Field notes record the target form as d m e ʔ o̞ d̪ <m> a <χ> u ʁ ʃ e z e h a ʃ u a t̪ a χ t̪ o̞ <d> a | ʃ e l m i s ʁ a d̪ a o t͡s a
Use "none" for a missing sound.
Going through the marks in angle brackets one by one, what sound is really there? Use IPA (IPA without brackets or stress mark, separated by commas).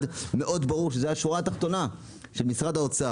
b, ʁ, n